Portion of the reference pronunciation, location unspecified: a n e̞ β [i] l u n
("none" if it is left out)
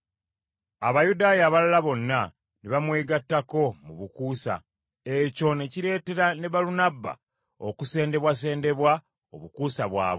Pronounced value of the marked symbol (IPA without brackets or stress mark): a